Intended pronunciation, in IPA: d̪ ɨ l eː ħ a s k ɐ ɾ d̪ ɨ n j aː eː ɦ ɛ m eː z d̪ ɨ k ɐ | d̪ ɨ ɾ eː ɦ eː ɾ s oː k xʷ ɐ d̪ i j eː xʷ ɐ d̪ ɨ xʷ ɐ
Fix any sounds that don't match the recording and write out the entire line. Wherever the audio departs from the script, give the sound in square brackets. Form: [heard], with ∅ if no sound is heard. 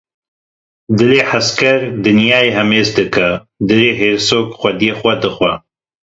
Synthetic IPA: d̪ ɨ l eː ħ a s k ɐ ɾ d̪ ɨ n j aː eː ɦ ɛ m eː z d̪ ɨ k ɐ | d̪ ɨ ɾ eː ɦ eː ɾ s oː k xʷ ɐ d̪ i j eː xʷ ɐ d̪ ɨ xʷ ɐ